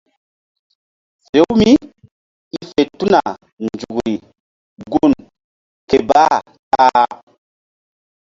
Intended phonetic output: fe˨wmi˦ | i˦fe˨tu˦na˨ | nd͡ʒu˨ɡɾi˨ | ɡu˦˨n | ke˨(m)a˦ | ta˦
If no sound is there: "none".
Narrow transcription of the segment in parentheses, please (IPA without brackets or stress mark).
b